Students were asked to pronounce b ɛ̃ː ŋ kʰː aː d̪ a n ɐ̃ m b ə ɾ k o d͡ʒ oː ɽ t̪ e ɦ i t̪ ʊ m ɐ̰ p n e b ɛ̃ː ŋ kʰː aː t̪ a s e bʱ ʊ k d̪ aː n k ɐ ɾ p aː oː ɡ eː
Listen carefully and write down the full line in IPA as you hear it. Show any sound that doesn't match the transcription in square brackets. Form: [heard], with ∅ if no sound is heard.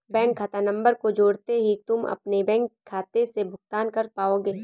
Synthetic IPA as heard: b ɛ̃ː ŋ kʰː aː [t̪] a n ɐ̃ m b ə ɾ k o d͡ʒ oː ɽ t̪ e ɦ i t̪ ʊ m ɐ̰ p n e b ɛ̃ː ŋ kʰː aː t̪ [e] s e bʱ ʊ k [t̪] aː n k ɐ ɾ p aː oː ɡ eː